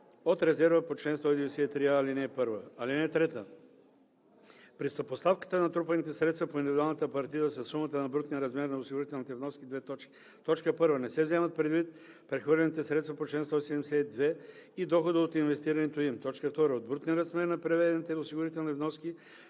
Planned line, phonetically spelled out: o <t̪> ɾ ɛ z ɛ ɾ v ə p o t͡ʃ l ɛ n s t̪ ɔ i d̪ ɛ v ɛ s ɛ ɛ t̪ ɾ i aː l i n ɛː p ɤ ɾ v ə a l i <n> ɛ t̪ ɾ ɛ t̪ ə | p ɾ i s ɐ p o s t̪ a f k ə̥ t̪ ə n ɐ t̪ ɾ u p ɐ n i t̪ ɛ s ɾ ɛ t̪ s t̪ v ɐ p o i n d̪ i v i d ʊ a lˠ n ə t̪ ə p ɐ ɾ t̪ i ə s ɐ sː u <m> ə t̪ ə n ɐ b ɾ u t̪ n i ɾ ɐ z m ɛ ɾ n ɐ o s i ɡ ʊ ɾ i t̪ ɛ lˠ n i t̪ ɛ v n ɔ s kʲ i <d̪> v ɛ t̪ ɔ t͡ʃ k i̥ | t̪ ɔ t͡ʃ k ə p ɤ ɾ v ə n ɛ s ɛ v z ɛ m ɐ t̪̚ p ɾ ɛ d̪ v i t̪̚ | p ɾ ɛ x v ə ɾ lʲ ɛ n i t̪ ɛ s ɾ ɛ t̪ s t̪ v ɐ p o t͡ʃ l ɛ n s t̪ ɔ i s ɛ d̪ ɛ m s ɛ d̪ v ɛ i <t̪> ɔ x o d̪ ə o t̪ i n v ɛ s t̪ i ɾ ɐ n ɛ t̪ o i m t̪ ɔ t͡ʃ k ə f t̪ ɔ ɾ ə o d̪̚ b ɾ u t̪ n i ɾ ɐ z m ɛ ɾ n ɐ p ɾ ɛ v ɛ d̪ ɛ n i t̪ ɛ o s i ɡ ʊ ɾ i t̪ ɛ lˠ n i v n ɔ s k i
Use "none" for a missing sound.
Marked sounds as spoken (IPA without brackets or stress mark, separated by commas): t̪, n, m, d̪, d̪